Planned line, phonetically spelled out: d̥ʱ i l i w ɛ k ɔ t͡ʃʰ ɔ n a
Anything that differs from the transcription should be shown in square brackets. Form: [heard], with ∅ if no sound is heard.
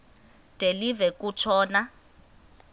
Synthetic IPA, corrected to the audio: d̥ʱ [e] l i [v] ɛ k [u] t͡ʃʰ [ɔː] n a